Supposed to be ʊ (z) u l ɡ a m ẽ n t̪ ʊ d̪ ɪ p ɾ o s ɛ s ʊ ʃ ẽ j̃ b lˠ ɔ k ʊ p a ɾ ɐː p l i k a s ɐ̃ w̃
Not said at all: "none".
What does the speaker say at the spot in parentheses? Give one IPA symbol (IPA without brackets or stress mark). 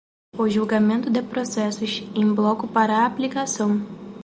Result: ʒ